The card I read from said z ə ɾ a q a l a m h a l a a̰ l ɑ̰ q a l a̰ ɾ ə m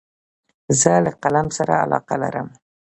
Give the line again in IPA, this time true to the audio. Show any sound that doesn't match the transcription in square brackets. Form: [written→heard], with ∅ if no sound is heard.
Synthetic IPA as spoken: z ə [ɾ→l] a q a l a m [h→s] a [l→ɾ] a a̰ l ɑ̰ q a l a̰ ɾ ə m